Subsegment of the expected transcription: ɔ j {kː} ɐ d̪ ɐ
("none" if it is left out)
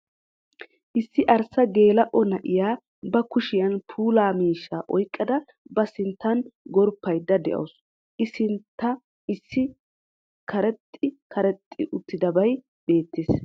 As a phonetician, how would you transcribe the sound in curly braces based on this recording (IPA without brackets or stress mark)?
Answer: kʼː